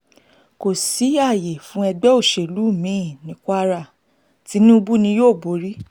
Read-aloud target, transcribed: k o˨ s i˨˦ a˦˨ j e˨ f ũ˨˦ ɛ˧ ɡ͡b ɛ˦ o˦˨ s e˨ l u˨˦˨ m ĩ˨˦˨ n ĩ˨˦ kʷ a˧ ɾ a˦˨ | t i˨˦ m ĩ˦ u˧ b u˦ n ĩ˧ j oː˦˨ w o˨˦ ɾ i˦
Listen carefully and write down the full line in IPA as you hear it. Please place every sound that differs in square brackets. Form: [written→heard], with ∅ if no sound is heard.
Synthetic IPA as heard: k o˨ s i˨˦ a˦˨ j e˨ f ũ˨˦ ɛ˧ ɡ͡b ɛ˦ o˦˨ [s→ʃ] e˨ l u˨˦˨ m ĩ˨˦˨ n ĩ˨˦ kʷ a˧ ɾ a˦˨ | t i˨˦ [m→n] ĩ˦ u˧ b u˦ n ĩ˧ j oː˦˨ [w→b] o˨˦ ɾ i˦